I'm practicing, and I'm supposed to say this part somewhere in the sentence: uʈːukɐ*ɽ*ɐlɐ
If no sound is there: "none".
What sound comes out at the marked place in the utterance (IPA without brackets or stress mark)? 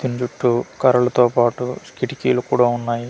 ɾ